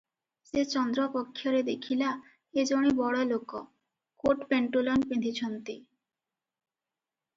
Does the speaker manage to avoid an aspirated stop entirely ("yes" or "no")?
no